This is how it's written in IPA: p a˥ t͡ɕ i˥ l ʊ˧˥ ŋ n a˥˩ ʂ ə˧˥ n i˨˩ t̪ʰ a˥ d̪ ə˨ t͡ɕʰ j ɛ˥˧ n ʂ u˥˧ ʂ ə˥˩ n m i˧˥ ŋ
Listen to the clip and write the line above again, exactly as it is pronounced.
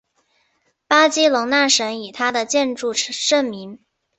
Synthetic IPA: p a˥ t͡ɕ i˥ l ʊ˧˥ ŋ n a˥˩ ʂ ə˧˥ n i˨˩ t̪ʰ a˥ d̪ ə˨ t͡ɕ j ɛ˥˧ n ʈ͡ʂ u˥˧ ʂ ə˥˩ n m i˧˥ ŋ